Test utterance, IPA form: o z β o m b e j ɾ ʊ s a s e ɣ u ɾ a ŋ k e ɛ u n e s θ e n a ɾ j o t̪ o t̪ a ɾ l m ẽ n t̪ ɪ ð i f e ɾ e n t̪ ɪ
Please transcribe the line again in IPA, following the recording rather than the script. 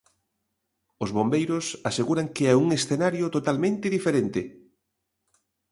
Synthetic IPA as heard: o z β o m b e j ɾ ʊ s a s e ɣ u ɾ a ŋ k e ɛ u ŋ e s θ e n a ɾ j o t̪ o t̪ a l m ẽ n t̪ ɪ ð i f e ɾ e n t̪ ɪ

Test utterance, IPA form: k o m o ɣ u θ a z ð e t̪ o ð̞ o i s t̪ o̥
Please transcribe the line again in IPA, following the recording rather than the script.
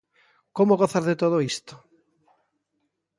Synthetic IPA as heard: k o m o ɣ o θ a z ð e t̪ o ð̞ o i s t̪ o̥

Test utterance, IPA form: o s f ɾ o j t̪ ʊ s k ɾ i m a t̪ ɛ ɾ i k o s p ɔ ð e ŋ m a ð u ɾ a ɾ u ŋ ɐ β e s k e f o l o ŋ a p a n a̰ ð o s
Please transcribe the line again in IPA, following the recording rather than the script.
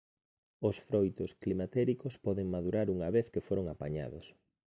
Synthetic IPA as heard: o s f ɾ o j t̪ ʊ s k l i m a t̪ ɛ ɾ i k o s p ɔ ð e ŋ m a ð u ɾ a ɾ u ŋ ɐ β e θ k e f o ɾ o ŋ a p a ɲ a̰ ð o s

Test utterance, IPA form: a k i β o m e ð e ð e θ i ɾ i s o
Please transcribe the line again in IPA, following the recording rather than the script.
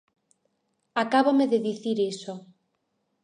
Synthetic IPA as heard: a k a β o m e ð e ð i θ i ɾ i s o

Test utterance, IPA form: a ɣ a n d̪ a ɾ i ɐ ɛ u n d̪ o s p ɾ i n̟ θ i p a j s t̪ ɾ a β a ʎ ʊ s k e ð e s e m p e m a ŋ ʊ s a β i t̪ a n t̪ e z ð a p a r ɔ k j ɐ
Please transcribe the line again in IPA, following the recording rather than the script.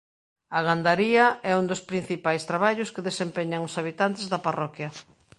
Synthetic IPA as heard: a ɣ a n d̪ a ɾ i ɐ ɛ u n d̪ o s p ɾ i n̟ θ i p a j s t̪ ɾ a β a ʎ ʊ s k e ð e s e m p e ɲ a ŋ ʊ s a β i t̪ a n t̪ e z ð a p a r ɔ k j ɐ

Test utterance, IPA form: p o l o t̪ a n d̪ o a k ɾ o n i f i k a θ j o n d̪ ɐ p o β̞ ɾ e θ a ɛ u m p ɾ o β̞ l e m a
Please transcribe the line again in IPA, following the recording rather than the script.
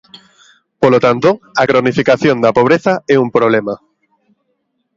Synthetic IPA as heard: p o l o t̪ a n t̪ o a k ɾ o n i f i k a θ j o n d̪ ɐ p o β̞ ɾ e θ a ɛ u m p ɾ o β̞ l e m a

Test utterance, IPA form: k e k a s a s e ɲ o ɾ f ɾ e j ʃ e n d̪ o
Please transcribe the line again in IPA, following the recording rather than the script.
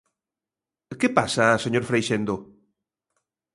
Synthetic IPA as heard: k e p a s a s e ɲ o ɾ f ɾ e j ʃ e n d̪ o

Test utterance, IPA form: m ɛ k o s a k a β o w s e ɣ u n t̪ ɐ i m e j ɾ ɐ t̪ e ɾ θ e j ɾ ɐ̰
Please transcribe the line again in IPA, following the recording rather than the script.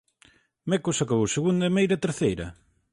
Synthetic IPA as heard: m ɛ k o s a k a β o w s e ɣ u n d̪ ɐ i m e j ɾ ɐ t̪ e ɾ θ e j ɾ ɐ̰

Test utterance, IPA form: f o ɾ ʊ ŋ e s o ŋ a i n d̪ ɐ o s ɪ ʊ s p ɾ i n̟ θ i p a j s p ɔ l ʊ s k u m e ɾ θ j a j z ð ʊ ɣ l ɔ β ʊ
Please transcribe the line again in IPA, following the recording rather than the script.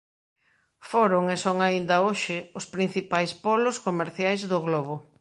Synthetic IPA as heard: f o ɾ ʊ ŋ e s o ŋ a i n d̪ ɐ o ʃ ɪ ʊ s p ɾ i n̟ θ i p a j s p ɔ l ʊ s k o m e ɾ θ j a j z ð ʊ ɣ l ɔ β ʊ

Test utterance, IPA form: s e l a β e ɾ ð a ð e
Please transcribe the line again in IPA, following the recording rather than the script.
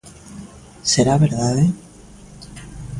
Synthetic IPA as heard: s e ɾ a β e ɾ ð a ð e

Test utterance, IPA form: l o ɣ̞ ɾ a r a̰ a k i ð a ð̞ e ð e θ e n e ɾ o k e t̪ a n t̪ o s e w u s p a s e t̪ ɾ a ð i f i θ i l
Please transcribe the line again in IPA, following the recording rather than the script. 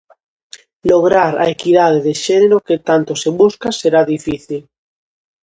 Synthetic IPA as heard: l o ɣ̞ ɾ a ɾ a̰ e k i ð a ð̞ e ð e ʃ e n e ɾ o k e t̪ a n t̪ o s e β u s k a s e ɾ a ð i f i θ i l

